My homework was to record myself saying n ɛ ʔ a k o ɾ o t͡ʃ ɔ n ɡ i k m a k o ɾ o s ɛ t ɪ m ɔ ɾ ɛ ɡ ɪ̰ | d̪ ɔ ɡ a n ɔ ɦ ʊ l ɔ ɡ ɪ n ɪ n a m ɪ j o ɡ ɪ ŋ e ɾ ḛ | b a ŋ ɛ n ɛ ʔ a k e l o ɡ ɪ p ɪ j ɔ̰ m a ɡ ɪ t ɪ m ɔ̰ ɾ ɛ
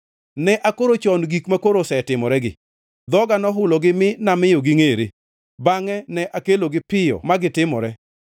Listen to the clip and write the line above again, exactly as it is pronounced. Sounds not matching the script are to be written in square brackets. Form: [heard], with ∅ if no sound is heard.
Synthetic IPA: n ɛ ʔ a k o ɾ o t͡ʃ ɔ n ɡ i k m a k o ɾ o s ɛ t ɪ m ɔ ɾ ɛ ɡ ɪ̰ | d̪ ɔ ɡ a n ɔ ɦ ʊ l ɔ ɡ ɪ [m] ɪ n a m ɪ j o ɡ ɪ ŋ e ɾ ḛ | b a ŋ ɛ n ɛ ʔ a k e l o ɡ ɪ p ɪ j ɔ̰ m a ɡ ɪ t ɪ m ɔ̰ ɾ ɛ